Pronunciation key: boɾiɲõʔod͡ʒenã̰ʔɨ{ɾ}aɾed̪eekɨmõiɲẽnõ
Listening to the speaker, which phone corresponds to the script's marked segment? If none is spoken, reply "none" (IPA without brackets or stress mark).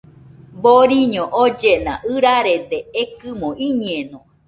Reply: ɾ